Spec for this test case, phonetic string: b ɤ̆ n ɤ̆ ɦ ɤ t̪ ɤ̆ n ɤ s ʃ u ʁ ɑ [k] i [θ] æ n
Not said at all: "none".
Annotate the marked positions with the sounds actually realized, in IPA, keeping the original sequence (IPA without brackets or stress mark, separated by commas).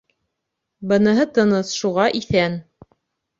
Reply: ʔ, θ